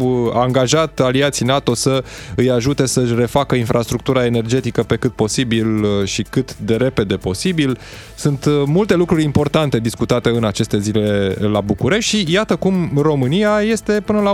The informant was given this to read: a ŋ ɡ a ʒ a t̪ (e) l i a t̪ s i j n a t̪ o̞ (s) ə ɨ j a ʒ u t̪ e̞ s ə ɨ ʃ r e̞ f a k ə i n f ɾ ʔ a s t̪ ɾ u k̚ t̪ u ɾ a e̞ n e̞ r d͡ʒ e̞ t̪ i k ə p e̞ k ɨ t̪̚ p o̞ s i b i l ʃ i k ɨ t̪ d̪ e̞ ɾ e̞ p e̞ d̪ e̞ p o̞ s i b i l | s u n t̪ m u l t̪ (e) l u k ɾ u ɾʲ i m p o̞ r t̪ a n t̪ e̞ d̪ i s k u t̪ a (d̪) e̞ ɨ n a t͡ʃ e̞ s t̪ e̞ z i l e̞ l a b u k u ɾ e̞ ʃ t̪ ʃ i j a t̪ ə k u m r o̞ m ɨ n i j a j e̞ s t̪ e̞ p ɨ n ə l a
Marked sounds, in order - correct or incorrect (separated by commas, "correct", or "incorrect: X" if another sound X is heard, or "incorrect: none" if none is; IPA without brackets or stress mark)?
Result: incorrect: a, correct, correct, incorrect: t̪